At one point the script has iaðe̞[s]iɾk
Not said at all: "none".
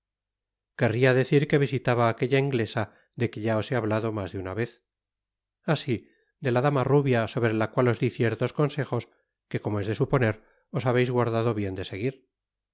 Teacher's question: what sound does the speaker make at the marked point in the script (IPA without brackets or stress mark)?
θ